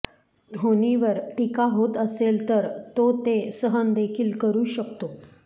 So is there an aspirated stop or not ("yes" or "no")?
yes